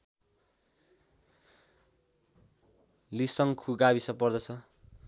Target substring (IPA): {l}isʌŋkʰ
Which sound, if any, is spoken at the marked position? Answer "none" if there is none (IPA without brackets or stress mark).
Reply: l